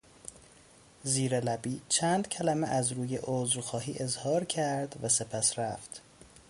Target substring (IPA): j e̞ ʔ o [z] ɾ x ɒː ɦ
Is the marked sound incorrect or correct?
correct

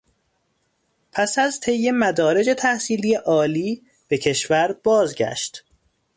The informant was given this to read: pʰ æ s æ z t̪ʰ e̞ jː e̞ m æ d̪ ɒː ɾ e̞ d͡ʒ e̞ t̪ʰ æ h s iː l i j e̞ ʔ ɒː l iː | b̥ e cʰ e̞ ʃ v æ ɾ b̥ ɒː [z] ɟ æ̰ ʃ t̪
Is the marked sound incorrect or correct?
correct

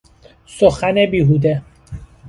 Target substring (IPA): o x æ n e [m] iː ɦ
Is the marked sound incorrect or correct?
incorrect: b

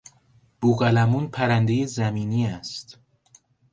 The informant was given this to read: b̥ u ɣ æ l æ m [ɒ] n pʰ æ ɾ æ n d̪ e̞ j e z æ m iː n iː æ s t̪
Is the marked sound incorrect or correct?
incorrect: u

